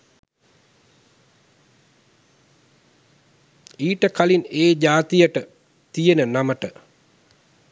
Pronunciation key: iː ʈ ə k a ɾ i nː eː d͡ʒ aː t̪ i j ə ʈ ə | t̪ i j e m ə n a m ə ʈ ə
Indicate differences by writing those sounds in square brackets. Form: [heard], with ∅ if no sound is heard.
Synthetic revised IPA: iː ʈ ə k a [l] i [n] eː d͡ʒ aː t̪ i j ə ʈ ə | t̪ i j e [n] ə n a m ə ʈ ə